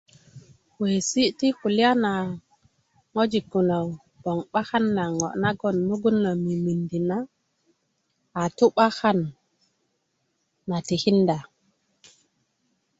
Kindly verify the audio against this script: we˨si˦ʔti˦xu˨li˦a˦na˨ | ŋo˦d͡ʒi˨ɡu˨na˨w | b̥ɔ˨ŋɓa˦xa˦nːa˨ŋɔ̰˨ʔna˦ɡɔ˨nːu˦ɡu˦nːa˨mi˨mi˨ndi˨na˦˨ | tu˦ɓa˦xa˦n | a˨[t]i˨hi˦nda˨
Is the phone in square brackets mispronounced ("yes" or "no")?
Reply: no